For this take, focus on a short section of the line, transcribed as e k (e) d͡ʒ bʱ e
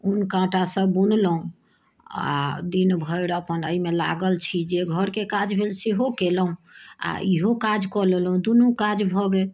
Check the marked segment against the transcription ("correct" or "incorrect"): incorrect